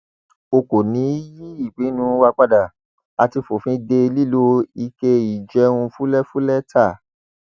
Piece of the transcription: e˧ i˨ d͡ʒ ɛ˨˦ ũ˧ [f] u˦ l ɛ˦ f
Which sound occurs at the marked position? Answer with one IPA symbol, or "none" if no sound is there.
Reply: f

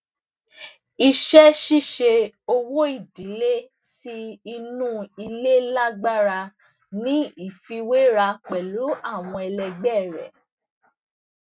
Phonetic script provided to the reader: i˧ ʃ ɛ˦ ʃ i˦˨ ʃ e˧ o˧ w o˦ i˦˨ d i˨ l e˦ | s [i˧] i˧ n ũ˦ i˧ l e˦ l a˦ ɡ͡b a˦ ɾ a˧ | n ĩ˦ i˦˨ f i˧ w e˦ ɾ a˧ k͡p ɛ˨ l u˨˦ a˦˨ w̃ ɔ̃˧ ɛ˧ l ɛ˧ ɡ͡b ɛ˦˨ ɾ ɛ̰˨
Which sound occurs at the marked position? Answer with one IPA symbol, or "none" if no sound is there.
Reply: i˧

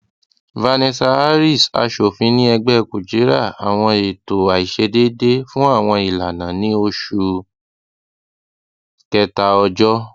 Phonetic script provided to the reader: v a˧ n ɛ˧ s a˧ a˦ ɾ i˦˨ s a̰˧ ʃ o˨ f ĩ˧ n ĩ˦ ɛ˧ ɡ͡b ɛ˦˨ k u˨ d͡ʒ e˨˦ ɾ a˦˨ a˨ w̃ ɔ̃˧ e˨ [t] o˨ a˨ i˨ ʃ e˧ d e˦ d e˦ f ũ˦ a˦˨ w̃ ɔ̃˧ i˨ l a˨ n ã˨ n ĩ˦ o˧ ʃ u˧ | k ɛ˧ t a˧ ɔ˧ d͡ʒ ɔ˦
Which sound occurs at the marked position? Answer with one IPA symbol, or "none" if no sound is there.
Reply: t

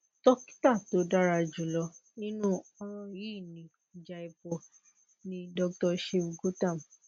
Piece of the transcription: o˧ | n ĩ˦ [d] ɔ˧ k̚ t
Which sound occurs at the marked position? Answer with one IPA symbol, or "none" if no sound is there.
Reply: d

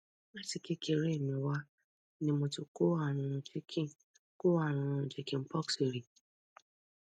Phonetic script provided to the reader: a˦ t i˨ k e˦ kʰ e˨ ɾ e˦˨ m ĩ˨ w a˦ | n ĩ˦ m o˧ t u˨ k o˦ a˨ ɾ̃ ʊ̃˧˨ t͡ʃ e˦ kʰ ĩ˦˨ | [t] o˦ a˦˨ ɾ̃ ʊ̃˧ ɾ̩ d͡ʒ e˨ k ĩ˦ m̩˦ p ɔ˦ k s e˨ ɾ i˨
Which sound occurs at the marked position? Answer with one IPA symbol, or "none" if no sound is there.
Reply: k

